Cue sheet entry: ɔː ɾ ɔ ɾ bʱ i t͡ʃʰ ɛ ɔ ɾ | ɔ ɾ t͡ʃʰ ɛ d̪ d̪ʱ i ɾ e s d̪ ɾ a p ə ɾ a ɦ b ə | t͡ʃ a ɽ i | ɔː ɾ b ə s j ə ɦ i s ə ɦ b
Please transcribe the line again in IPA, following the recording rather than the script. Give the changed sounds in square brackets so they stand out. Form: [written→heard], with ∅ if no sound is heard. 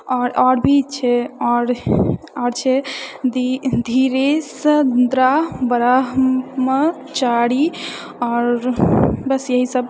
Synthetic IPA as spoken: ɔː ɾ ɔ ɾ bʱ i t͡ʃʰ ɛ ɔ ɾ | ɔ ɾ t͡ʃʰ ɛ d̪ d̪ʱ i ɾ e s d̪ ɾ a [p→b] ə ɾ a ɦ [b→m] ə | t͡ʃ a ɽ i | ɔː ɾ b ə s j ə ɦ i s ə [ɦ→∅] b